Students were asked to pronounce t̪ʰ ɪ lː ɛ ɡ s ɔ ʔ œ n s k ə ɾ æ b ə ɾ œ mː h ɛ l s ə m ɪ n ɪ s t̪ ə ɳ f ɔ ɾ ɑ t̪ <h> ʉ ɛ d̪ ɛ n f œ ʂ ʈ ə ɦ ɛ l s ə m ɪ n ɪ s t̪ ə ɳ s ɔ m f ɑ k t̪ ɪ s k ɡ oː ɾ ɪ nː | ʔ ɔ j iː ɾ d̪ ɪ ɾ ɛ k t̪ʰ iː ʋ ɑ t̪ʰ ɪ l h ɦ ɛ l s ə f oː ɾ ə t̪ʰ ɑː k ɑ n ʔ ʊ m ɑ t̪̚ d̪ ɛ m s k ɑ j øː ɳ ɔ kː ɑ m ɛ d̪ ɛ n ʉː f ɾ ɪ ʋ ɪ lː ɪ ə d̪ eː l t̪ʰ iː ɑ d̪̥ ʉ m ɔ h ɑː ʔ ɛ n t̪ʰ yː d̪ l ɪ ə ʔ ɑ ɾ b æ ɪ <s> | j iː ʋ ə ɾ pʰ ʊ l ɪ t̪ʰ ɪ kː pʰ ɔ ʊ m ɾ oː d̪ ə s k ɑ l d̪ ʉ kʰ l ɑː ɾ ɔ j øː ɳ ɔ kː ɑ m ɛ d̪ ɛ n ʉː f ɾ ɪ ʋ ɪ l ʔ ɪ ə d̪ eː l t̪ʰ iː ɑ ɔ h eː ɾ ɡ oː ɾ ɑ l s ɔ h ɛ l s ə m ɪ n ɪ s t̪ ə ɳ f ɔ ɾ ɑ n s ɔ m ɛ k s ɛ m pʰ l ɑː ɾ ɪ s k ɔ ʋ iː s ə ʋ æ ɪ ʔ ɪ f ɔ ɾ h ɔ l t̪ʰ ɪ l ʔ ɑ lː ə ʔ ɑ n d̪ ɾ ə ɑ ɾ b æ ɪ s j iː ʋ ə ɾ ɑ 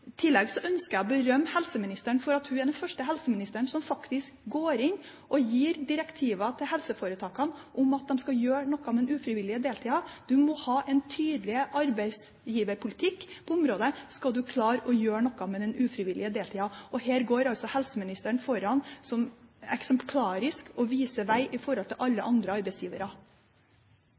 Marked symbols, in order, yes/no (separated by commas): yes, yes